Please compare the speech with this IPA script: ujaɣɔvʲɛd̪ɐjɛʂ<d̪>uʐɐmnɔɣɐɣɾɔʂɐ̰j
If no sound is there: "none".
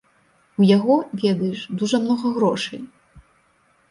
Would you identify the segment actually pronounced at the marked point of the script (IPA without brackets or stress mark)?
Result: d̪